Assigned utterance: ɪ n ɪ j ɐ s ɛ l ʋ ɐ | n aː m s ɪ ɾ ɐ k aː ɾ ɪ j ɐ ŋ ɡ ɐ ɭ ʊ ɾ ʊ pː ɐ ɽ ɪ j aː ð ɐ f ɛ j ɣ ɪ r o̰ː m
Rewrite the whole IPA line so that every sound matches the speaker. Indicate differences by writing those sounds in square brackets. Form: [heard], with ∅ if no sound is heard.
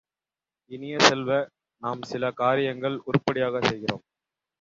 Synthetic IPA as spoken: ɪ n ɪ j ɐ s ɛ l ʋ ɐ | n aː m s ɪ [l] ɐ k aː ɾ ɪ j ɐ ŋ ɡ ɐ ɭ ʊ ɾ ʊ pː ɐ ɽ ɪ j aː [ɣ] ɐ [s] ɛ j ɣ ɪ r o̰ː m